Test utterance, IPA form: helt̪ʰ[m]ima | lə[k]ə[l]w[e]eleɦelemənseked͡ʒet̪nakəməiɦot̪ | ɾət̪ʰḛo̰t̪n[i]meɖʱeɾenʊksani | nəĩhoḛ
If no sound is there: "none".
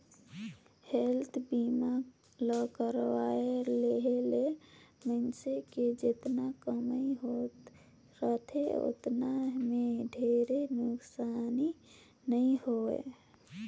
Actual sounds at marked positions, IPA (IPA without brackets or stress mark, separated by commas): b, k, ɾ, a, a